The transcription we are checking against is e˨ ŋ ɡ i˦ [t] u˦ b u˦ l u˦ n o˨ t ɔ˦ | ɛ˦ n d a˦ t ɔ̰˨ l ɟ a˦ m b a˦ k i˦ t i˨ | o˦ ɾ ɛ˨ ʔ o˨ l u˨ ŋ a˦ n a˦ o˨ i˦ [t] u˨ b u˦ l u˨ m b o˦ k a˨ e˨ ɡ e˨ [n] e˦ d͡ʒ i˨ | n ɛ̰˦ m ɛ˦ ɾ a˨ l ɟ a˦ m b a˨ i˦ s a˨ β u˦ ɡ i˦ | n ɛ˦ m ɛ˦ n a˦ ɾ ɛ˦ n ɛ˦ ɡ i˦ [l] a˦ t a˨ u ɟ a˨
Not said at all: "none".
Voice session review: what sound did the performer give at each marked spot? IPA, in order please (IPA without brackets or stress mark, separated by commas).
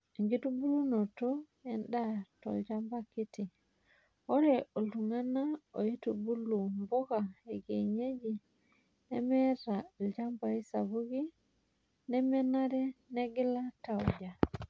t, t, ɲ, l